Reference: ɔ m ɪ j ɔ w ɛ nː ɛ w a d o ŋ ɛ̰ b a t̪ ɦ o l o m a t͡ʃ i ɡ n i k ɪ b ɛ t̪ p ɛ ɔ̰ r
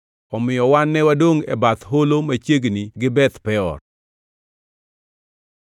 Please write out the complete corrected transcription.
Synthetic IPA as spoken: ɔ m ɪ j ɔ w a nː ɛ w a d o ŋ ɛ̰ b a t̪ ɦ o l o m a t͡ʃ e ɡ n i ɡ ɪ b ɛ t̪ p ɛ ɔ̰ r

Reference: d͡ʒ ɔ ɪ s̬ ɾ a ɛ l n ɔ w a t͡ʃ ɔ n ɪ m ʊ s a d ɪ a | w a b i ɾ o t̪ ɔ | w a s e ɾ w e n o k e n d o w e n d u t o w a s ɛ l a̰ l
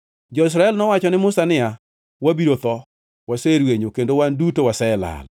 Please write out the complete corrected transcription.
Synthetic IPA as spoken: d͡ʒ ɔ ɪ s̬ ɾ a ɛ l n ɔ w a t͡ʃ ɔ n ɪ m ʊ s a n ɪ a | w a b i ɾ o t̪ ɔ | w a s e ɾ w e ɲ o k e n d o w a n d u t o w a s ɛ l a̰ l

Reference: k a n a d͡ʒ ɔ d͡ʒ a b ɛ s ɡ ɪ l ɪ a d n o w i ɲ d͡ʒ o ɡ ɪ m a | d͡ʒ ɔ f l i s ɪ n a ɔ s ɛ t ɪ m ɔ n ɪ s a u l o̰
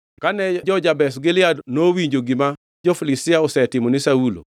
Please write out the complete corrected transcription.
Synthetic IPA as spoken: k a n ɛ d͡ʒ ɔ d͡ʒ a b ɛ s ɡ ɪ l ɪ a d n o w i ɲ d͡ʒ o ɡ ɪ m a | d͡ʒ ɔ f l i s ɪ a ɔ s ɛ t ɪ m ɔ n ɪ s a u l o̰

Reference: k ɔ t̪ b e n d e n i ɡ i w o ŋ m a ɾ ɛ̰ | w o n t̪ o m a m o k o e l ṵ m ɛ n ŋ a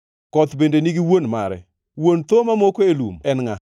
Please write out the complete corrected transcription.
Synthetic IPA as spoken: k ɔ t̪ b e n d e n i ɡ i w o n m a ɾ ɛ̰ | w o n t̪ o m a m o k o e l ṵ m ɛ n ŋ a

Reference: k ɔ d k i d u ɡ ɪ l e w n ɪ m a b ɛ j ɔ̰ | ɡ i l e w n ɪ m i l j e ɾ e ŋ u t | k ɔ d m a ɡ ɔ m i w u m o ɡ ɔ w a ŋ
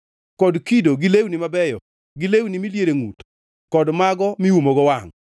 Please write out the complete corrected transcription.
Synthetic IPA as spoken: k ɔ d k i d o ɡ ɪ l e w n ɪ m a b ɛ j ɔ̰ | ɡ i l e w n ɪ m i l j e ɾ e ŋ u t | k ɔ d m a ɡ ɔ m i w u m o ɡ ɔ w a ŋ

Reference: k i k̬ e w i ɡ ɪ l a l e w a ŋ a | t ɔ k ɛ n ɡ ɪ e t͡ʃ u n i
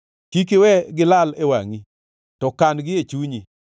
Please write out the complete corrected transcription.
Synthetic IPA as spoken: k i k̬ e w ɛ ɡ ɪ l a l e w a ŋ i | t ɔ k a n ɡ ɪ e t͡ʃ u ɲ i

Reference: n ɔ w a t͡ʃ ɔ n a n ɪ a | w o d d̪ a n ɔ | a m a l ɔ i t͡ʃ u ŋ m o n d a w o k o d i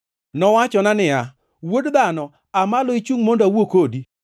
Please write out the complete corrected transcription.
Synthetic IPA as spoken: n ɔ w a t͡ʃ ɔ n a n ɪ a | w o d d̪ a n ɔ | a m a l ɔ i t͡ʃ u ŋ m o n d a w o k o d i

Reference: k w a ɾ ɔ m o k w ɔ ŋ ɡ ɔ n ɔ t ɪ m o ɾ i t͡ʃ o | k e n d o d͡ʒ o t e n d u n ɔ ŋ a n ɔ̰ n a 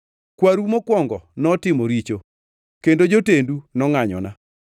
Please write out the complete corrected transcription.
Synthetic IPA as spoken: k w a ɾ u m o k w ɔ ŋ ɡ ɔ n ɔ t ɪ m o ɾ i t͡ʃ o | k e n d o d͡ʒ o t e n d u n ɔ ŋ a ɲ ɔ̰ n a

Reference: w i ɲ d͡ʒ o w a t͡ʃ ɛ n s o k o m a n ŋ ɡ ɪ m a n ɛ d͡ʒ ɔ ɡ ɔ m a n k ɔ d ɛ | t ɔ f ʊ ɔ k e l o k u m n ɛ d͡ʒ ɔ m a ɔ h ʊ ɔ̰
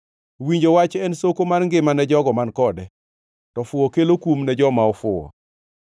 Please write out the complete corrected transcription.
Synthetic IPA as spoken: w i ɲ d͡ʒ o w a t͡ʃ ɛ n s o k o m a n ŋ ɡ ɪ m a n ɛ d͡ʒ ɔ ɡ ɔ m a n k ɔ d ɛ | t ɔ f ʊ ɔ k e l o k u m n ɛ d͡ʒ ɔ m a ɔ f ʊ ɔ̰

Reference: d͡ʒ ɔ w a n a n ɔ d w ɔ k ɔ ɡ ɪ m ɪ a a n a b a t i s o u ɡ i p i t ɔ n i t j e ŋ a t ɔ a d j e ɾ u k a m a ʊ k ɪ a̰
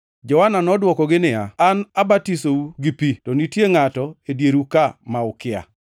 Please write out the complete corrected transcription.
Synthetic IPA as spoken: d͡ʒ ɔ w a n a n ɔ d w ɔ k ɔ ɡ ɪ n ɪ a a n a b a t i s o u ɡ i p i t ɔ n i t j e ŋ a t ɔ e d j e ɾ u k a m a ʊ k ɪ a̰

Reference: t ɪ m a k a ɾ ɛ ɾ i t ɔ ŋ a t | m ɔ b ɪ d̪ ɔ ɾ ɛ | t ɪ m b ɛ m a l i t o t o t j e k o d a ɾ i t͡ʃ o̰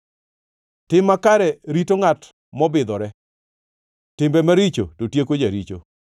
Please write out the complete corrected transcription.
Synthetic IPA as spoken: t ɪ m a k a ɾ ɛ ɾ i t o ŋ a t | m ɔ b ɪ d̪ ɔ ɾ ɛ | t ɪ m b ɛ m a ɾ i t͡ʃ o t o t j e k o d͡ʒ a ɾ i t͡ʃ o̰

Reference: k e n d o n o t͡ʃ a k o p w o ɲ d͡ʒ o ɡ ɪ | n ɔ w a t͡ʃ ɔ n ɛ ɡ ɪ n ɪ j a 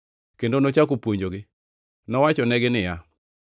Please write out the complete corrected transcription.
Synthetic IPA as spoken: k e n d o n o t͡ʃ a k o p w o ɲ d͡ʒ o ɡ ɪ | n ɔ w a t͡ʃ ɔ n ɛ ɡ ɪ n ɪ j a

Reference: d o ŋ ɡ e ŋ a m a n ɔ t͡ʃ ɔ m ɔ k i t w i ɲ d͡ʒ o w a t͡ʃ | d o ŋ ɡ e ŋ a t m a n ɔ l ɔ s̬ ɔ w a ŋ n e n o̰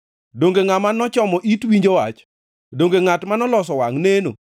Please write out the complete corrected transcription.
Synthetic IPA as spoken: d o ŋ ɡ e ŋ a m a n ɔ t͡ʃ ɔ m ɔ ʔ i t w i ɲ d͡ʒ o w a t͡ʃ | d o ŋ ɡ e ŋ a t m a n ɔ l ɔ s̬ ɔ w a ŋ n e n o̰

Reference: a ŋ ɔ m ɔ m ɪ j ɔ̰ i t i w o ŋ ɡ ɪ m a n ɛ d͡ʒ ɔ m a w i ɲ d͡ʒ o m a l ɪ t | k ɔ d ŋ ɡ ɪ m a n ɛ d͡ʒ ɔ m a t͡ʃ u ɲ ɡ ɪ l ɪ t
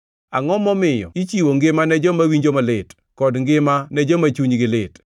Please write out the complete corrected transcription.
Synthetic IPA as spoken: a ŋ ɔ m ɔ m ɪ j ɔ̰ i t͡ʃ i w o ŋ ɡ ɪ m a n ɛ d͡ʒ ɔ m a w i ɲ d͡ʒ o m a l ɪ t | k ɔ d ŋ ɡ ɪ m a n ɛ d͡ʒ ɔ m a t͡ʃ u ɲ ɡ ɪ l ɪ t

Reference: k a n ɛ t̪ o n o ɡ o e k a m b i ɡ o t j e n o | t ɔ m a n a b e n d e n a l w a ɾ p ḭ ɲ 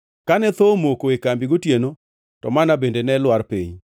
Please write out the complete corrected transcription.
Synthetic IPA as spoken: k a n ɛ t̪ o m o k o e k a m b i ɡ o t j e n o | t ɔ m a n a b e n d e n ɛ l w a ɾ p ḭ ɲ

